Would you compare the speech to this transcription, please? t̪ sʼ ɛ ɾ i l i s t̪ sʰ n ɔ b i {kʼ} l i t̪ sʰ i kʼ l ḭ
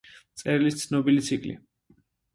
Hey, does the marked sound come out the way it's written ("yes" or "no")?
no